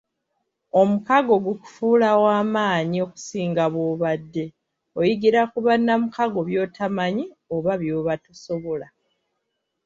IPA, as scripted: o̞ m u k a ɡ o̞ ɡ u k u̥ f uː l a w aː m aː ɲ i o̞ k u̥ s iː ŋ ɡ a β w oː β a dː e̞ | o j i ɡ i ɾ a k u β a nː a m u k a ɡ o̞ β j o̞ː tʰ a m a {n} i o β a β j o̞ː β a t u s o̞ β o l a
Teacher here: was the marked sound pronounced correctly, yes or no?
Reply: no